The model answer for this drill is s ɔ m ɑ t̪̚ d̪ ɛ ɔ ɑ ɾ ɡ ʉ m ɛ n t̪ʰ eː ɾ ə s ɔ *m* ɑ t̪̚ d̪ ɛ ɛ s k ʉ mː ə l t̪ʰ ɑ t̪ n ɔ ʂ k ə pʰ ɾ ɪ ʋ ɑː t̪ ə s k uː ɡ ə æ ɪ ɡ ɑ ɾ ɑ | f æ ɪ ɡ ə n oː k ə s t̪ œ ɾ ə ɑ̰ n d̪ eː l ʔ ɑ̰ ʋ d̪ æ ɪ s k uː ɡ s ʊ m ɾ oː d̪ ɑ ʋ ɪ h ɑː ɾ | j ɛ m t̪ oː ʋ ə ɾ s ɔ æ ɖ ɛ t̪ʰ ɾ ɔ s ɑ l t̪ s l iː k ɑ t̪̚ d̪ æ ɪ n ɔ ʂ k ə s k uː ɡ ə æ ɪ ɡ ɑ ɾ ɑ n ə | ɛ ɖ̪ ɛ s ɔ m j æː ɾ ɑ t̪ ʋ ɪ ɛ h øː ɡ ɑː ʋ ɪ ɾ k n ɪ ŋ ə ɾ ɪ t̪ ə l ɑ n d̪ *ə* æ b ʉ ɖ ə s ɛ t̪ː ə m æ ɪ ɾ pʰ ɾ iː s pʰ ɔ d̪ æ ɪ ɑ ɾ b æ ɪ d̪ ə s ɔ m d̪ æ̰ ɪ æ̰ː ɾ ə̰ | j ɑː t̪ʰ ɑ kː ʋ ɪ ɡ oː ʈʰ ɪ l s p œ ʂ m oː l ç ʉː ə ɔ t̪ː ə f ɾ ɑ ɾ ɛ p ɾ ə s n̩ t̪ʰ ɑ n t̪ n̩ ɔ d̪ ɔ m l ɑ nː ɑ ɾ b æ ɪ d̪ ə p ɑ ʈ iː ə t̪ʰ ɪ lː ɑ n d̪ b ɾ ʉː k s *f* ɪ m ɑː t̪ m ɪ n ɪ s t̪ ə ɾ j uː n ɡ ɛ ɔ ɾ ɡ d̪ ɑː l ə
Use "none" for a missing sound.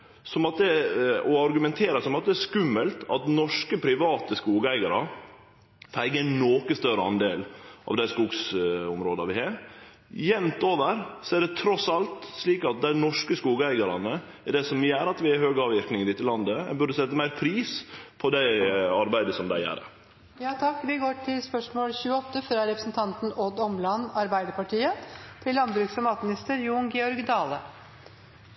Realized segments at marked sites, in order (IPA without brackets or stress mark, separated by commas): m, ə, f